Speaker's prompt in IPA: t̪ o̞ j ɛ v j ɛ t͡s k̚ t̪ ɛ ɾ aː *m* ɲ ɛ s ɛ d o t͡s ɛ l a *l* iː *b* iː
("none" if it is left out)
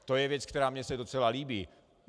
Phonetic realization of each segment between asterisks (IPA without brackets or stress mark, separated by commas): m, l, b